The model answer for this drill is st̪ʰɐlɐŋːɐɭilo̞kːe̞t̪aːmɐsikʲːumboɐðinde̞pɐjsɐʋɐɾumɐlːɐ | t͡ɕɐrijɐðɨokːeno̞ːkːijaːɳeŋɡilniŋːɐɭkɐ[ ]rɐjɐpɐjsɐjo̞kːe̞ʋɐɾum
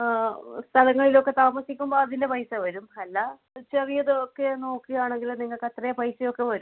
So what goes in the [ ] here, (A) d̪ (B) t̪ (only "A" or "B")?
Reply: B